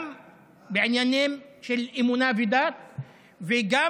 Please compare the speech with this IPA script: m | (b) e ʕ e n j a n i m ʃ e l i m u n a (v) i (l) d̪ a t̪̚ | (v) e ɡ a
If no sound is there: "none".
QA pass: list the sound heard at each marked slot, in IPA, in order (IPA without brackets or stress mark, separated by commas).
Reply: b, v, none, v